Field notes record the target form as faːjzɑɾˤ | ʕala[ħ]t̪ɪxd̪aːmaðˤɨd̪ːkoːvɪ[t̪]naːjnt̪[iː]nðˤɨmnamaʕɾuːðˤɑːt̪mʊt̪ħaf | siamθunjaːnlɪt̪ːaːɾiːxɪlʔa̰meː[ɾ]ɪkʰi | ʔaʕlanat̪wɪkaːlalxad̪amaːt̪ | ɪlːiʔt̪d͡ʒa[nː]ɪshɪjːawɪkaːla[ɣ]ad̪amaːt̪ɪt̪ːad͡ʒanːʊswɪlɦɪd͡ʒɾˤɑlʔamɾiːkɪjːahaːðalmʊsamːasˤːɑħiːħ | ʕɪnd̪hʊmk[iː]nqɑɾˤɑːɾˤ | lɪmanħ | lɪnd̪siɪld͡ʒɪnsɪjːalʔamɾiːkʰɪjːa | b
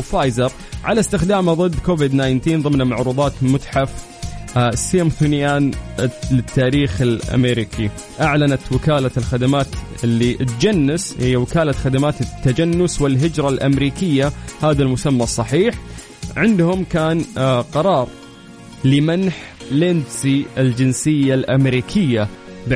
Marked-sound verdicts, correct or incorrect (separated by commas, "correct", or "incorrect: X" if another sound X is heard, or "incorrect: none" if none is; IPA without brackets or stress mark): incorrect: s, incorrect: d̪, correct, correct, correct, incorrect: x, incorrect: aː